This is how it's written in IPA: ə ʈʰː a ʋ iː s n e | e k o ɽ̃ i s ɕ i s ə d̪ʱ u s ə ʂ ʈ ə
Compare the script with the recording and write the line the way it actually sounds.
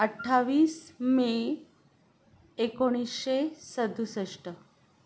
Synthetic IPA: ə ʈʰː a ʋ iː s m e | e k o ɽ̃ i s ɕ e s ə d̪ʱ u s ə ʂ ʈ ə